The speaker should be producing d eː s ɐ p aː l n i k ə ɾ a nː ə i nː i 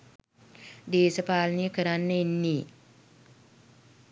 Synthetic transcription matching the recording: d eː s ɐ p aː l n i k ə ɾ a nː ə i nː i